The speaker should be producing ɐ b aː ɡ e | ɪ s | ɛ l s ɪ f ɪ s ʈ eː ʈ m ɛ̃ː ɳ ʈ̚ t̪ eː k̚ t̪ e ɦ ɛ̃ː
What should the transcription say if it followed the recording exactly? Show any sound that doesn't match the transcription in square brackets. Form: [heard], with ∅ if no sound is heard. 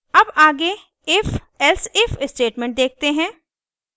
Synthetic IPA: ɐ b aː ɡ e | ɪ [f] | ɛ l s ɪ f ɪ s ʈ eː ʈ m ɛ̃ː ɳ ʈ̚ [d̪] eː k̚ t̪ e ɦ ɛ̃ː